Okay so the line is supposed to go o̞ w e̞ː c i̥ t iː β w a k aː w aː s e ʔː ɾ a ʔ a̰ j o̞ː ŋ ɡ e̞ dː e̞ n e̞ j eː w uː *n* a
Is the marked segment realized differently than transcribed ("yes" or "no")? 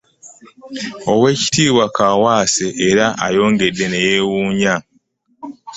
yes